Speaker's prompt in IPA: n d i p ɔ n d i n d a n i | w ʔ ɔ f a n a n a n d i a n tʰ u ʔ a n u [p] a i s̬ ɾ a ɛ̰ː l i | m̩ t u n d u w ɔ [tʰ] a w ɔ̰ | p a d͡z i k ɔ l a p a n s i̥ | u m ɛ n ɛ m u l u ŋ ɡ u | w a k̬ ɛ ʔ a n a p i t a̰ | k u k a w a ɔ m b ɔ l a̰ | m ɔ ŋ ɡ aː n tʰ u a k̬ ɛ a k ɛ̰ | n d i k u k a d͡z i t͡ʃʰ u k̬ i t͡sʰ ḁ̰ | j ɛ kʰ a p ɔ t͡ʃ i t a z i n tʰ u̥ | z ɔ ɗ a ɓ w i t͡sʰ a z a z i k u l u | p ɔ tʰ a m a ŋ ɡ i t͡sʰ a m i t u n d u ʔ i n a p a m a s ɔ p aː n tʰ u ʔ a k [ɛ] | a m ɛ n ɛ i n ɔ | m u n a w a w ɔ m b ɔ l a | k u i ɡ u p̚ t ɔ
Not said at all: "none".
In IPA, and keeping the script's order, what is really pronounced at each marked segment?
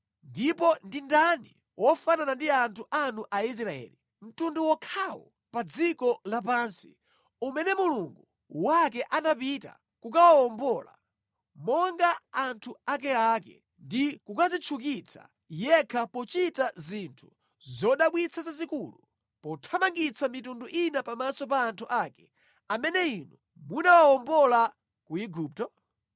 ʔ, kʰ, ɛ

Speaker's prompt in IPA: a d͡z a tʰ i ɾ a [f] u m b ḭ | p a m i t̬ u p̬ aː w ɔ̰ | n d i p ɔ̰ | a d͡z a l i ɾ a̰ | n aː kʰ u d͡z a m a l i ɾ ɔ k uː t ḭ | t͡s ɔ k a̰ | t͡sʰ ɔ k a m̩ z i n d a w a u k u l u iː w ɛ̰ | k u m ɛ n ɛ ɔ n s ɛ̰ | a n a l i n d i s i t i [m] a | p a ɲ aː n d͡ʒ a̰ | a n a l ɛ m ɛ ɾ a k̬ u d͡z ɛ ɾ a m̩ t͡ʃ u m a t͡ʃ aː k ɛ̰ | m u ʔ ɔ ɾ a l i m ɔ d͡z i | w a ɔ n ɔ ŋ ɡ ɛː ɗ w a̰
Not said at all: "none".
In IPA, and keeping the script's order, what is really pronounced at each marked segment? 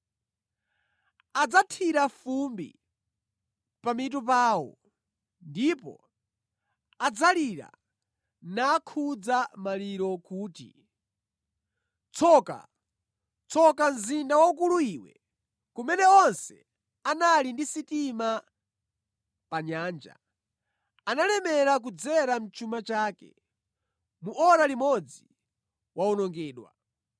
f, m

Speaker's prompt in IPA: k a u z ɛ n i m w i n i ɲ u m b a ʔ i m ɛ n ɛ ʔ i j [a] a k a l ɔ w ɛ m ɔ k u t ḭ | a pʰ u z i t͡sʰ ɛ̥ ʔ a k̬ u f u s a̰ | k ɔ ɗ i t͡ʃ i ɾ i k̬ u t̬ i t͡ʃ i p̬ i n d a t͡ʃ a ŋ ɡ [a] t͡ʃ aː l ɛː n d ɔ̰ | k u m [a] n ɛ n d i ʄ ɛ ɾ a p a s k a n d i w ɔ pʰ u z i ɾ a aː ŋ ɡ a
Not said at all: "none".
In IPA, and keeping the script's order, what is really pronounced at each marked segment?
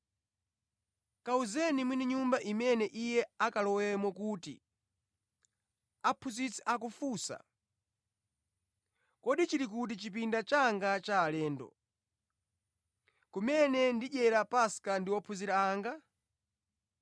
ɛ, a, ɛ

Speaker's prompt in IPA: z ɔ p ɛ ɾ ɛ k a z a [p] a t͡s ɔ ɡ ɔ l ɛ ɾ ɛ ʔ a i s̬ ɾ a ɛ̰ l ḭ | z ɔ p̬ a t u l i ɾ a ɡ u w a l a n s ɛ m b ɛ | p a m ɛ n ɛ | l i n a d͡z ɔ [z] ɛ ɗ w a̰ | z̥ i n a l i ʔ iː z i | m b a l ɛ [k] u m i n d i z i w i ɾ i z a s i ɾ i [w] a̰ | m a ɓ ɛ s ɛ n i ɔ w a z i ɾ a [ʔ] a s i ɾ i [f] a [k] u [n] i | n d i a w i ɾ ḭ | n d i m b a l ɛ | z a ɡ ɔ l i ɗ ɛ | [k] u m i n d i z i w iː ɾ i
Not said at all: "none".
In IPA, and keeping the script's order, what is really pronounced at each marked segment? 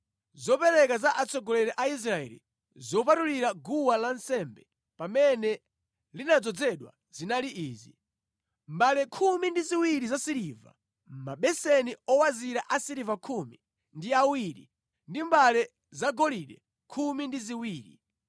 ʔ, d͡z, kʰ, v, ʔ, v, kʰ, m, kʰ

